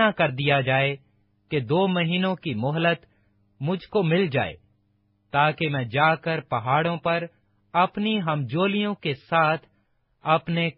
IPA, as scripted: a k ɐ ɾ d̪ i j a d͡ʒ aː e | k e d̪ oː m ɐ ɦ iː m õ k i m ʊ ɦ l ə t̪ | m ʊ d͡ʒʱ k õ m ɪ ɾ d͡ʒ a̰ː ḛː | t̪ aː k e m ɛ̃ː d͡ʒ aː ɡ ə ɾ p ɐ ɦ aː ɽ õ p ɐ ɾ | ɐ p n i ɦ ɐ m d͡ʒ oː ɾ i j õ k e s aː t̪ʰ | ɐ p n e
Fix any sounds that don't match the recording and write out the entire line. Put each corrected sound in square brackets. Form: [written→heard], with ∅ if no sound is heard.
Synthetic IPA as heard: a k ɐ ɾ d̪ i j a d͡ʒ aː e | k e d̪ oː m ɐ ɦ iː [m→n] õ k i m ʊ ɦ l ə t̪ | m ʊ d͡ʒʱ k [õ→o] m ɪ [ɾ→l] d͡ʒ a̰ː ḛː | t̪ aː k e m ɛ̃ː d͡ʒ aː [ɡ→k] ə ɾ p ɐ ɦ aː ɽ õ p ɐ ɾ | ɐ p n i ɦ ɐ m d͡ʒ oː [ɾ→l] i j õ k e s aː t̪ʰ | ɐ p n e